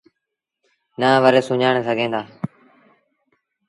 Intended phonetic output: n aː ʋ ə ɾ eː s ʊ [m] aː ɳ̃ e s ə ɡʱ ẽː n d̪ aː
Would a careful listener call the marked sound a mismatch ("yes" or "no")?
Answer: yes